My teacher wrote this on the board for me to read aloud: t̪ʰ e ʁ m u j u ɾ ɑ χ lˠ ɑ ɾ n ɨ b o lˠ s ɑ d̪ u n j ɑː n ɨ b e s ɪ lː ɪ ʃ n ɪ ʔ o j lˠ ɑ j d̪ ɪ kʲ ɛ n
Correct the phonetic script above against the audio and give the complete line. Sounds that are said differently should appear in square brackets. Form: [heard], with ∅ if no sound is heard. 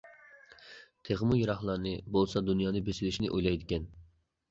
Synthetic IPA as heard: t̪ʰ e ʁ m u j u ɾ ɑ χ lˠ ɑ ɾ n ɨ b o lˠ s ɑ d̪ u n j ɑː n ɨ b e s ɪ [l] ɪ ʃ n ɪ ʔ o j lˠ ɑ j d̪ ɪ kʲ ɛ n